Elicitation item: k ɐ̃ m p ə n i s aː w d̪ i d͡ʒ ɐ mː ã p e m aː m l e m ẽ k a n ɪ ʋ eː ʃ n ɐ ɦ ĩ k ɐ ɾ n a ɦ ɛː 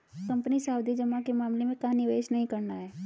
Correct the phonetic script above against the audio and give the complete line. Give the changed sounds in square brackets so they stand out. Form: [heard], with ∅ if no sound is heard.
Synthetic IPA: k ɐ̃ m p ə n i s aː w d̪ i d͡ʒ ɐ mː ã [k] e m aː m l e m ẽ k a n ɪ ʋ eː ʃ n ɐ ɦ ĩ k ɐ ɾ n a ɦ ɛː